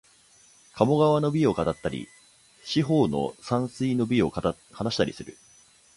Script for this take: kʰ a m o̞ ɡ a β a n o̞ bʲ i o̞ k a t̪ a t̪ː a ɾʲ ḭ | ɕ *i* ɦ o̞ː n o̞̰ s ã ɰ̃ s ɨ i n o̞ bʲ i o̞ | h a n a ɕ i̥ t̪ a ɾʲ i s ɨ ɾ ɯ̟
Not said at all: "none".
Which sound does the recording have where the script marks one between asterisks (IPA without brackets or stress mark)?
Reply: i